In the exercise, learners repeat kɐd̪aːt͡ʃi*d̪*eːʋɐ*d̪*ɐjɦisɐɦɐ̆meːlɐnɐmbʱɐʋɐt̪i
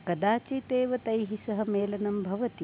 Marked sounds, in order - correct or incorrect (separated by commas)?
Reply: incorrect, incorrect